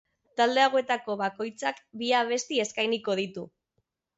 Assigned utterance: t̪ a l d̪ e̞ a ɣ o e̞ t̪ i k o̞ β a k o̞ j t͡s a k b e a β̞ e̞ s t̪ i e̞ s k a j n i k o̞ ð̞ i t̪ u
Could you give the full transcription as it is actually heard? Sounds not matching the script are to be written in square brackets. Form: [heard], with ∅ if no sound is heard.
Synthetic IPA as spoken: t̪ a l d̪ e̞ a ɣ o e̞ t̪ [a] k o̞ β a k o̞ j t͡s a k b [i] a β̞ e̞ s t̪ i e̞ s k a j n i k o̞ ð̞ i t̪ u